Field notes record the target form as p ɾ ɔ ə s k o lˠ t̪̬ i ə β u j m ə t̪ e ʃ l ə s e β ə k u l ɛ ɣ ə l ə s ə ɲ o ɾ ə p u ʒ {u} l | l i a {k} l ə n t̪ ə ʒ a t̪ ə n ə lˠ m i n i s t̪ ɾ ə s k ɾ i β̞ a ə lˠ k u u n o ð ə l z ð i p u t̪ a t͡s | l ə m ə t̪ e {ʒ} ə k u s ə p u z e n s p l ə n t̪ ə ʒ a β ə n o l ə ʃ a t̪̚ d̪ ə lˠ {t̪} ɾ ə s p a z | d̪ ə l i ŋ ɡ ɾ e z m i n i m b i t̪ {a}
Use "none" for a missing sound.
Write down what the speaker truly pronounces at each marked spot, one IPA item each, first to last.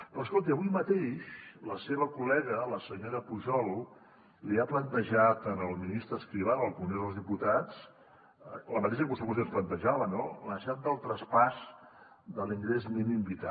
ɔ, p, ʃ, t̪, a

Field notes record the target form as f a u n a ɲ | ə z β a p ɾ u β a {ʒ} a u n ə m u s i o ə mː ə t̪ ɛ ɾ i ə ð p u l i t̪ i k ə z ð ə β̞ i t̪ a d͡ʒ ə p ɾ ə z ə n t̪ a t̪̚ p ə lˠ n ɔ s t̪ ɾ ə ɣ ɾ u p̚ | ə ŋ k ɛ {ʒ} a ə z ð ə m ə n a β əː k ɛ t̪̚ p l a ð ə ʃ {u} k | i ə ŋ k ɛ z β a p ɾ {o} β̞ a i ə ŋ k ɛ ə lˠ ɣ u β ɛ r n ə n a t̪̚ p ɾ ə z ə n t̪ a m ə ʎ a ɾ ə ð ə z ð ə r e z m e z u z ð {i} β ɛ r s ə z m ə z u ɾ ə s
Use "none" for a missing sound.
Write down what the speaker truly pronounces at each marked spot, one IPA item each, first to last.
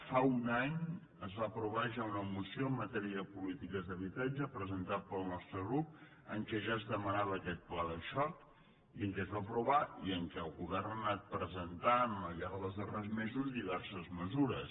ʒ, ʒ, ɔ, u, i

